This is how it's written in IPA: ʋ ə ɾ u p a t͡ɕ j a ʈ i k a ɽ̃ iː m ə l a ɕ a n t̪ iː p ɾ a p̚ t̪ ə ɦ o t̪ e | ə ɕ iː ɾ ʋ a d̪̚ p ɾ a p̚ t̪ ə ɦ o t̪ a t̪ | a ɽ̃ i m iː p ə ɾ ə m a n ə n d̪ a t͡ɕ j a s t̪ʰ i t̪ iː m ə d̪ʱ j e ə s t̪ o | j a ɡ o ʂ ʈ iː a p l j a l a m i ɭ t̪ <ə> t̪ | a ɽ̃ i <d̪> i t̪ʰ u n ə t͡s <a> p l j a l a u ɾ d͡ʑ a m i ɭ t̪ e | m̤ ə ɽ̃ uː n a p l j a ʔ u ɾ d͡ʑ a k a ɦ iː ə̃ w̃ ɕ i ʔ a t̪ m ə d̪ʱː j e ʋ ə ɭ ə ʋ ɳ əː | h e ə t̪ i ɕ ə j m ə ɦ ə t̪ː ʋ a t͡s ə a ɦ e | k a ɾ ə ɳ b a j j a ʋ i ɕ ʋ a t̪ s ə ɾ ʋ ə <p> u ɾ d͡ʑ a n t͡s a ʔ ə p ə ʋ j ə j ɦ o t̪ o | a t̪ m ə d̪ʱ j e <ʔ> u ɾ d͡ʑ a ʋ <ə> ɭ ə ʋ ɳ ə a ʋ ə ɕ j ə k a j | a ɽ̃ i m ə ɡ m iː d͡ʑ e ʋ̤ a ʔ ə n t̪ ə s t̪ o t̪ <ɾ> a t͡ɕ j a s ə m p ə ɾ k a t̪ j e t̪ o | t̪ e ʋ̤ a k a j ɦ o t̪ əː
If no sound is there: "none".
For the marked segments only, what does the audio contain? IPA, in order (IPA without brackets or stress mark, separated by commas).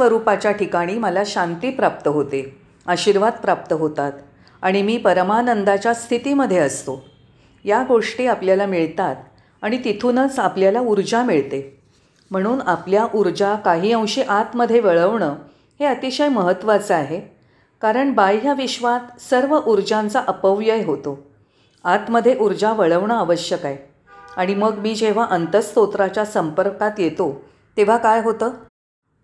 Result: a, t̪, a, ʔ, ʔ, ə, ɾ